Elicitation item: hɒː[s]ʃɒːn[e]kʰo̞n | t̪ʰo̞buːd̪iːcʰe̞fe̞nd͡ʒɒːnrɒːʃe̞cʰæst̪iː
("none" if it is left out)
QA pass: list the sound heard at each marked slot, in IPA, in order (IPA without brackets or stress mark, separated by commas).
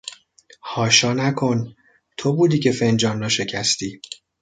none, æ